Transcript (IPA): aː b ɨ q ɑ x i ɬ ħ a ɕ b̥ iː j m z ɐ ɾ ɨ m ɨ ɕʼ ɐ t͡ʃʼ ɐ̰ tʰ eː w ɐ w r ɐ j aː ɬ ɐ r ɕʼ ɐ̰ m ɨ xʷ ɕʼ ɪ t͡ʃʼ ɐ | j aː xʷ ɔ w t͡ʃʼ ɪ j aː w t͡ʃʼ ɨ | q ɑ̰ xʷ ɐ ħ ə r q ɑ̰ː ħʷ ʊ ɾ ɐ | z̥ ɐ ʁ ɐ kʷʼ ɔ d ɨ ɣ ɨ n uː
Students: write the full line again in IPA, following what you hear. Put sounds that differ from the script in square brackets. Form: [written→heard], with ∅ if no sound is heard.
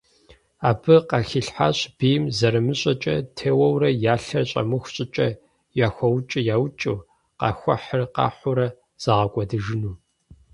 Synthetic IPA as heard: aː b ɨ q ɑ x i ɬ ħ a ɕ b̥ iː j m z ɐ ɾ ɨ m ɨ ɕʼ ɐ t͡ʃʼ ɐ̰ tʰ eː w ɐ w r ɐ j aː ɬ ɐ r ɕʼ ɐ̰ m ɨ xʷ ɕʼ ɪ t͡ʃʼ ɐ | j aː xʷ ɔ w t͡ʃʼ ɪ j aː w t͡ʃʼ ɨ | q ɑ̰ xʷ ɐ ħ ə r q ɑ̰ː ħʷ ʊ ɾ ɐ | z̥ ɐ ʁ ɐ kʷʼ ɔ d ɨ [ɣ→ʒ] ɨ n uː